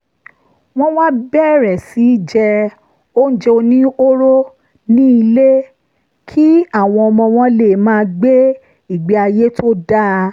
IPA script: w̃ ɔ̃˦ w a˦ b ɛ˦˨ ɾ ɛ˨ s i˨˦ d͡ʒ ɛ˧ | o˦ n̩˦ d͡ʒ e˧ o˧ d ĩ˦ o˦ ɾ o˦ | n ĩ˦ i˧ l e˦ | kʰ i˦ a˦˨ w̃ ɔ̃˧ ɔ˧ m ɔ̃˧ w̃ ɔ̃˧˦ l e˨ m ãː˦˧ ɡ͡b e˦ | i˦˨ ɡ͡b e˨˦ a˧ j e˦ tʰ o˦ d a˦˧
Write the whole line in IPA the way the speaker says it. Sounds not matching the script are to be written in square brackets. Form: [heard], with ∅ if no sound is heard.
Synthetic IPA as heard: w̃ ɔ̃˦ w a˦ b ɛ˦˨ ɾ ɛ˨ s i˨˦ d͡ʒ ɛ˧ | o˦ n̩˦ d͡ʒ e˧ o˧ [n] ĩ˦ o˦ ɾ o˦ | n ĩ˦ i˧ l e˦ | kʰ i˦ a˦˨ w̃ ɔ̃˧ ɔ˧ m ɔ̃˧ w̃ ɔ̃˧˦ l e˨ m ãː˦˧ ɡ͡b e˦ | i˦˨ ɡ͡b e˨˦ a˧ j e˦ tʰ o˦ d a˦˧